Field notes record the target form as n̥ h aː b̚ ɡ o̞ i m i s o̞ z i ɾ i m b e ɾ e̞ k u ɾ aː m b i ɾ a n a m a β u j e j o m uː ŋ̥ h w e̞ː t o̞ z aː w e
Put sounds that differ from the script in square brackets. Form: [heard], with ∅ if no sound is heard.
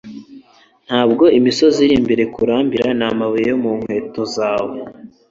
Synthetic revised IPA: n̥ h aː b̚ ɡ o̞ i m i s o̞ z i ɾ i m b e ɾ e̞ k u ɾ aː m b i ɾ a n a m a β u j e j o m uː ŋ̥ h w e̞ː t o̞ z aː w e